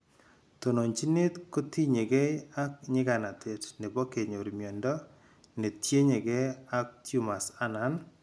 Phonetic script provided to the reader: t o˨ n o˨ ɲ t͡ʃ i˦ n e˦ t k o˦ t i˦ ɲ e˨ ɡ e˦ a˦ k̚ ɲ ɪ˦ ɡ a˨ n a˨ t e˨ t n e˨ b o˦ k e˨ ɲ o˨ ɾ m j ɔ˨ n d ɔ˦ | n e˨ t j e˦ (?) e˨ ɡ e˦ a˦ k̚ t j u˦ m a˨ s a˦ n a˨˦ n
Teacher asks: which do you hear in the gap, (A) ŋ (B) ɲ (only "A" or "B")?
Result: B